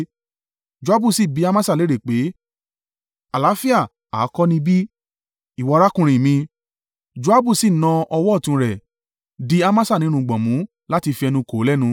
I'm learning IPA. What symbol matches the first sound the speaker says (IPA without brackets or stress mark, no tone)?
d͡ʒ